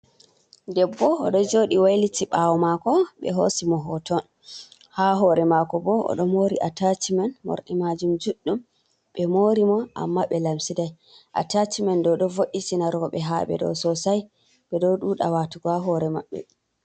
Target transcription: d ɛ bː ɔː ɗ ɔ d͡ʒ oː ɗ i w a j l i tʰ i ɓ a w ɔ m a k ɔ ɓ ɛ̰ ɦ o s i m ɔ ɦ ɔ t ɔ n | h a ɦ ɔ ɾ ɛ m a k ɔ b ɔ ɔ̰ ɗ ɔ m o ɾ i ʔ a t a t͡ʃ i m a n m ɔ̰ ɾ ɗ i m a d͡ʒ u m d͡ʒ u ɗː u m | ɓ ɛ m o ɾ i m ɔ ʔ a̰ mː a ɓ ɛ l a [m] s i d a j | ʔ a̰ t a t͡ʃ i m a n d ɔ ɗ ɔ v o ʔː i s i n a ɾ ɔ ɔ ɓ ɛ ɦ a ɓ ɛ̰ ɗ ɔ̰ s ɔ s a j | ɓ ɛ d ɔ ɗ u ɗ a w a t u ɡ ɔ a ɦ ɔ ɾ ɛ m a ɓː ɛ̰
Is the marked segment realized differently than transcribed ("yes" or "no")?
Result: no